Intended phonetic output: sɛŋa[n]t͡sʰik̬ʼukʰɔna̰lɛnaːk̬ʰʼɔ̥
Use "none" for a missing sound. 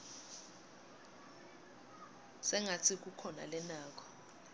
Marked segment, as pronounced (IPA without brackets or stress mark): none